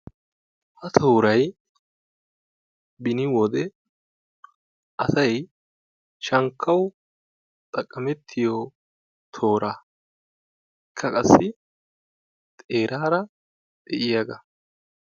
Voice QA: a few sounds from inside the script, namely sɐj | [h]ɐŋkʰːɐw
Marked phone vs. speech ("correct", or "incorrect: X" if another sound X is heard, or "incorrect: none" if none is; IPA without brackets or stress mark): incorrect: ʃ